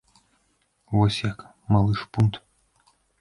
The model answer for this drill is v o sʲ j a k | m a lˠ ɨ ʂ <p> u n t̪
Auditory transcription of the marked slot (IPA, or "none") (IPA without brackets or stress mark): p